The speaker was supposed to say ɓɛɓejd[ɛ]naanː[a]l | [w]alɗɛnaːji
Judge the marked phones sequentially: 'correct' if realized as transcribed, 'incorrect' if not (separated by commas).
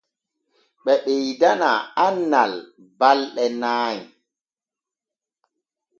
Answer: incorrect, correct, incorrect